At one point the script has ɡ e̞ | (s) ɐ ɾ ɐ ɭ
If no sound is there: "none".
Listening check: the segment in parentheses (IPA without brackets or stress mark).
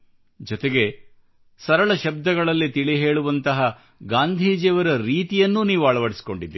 s